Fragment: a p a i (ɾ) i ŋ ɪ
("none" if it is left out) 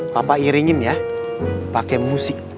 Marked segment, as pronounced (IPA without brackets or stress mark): ɾ